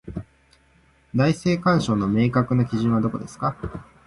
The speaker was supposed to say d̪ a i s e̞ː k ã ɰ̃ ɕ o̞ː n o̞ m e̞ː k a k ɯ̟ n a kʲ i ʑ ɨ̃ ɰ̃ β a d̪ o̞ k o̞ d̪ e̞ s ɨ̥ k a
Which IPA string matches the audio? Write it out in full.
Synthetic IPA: d̪ a i s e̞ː k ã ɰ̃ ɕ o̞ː n o̞ m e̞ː k a k ɯ̟ n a kʲ i ʑ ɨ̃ ɰ̃ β a d̪ o̞ k o̞ d̪ e̞ s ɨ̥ k a